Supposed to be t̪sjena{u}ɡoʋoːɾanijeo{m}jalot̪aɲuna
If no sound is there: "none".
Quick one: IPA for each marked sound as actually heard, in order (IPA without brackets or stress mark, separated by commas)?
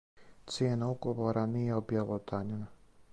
u, b